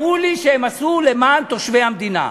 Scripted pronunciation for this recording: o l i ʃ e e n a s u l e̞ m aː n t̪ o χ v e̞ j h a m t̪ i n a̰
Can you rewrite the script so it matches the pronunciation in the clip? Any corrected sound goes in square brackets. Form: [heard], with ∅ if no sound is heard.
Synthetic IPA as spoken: [u] l i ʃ e e [m] a s u l e̞ m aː n t̪ o [ʃ] v e̞ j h a m [d̪] i n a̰